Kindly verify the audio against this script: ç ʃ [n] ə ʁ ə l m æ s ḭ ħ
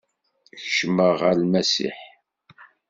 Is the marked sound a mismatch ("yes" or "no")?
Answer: yes